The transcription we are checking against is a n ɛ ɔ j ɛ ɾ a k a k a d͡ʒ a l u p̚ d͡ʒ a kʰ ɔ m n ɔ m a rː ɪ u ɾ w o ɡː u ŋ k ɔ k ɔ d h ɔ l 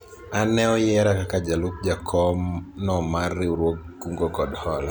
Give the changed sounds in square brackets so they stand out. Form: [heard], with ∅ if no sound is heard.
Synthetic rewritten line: a n ɛ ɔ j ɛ ɾ a k a k a d͡ʒ a l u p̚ d͡ʒ a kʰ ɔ m n ɔ m a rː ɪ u ɾ w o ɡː u ŋ [ɡ] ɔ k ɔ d h ɔ l